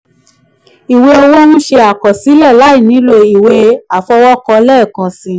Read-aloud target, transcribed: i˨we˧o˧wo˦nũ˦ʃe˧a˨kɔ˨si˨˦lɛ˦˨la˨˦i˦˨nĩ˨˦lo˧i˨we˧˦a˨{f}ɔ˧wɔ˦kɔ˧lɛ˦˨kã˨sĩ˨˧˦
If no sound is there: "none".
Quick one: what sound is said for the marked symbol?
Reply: f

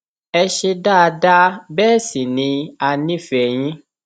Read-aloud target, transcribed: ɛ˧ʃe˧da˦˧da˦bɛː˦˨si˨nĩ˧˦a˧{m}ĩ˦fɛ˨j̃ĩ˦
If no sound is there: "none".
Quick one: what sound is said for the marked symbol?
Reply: n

